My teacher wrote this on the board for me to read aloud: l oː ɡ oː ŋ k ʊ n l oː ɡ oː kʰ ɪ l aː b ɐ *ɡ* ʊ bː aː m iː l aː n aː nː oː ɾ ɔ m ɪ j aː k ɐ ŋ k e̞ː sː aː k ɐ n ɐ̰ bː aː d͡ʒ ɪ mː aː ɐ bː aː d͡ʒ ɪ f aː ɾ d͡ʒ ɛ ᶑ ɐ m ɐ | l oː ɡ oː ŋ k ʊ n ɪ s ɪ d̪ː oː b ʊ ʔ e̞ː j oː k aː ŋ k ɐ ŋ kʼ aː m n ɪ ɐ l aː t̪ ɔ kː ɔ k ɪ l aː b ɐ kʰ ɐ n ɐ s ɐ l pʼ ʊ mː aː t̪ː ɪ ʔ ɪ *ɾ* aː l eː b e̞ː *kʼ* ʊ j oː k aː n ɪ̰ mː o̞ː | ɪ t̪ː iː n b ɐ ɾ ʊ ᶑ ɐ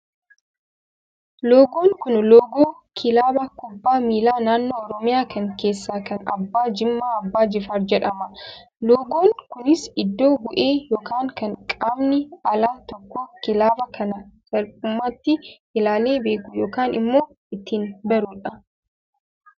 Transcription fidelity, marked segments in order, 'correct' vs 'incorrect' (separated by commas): incorrect, incorrect, incorrect